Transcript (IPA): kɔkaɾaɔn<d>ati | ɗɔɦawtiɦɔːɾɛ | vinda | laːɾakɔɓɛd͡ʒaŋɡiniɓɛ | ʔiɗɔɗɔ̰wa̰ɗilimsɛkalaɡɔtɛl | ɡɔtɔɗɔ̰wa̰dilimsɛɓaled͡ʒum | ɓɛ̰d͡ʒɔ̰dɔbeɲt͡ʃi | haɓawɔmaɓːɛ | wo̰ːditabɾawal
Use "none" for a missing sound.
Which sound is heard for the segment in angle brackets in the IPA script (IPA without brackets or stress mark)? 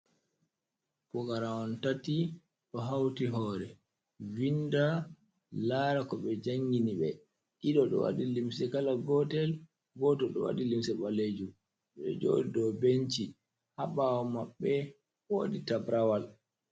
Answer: t